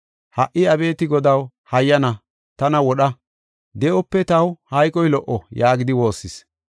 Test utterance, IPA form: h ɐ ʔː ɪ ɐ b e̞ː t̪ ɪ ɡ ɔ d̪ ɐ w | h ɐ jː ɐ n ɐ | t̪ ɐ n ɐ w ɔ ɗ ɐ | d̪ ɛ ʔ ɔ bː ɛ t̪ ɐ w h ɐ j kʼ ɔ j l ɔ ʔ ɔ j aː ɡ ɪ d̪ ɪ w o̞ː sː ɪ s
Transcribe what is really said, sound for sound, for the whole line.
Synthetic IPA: h ɐ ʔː ɪ ɐ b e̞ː t̪ ɪ ɡ ɔ d̪ ɐ w | h ɐ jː ɐ n ɐ | t̪ ɐ n ɐ w ɔ ɗ ɐ | d̪ ɛ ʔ ɔ pː ɛ t̪ ɐ w h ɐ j kʼ ɔ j l ɔ ʔ ɔ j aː ɡ ɪ d̪ ɪ w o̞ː sː ɪ s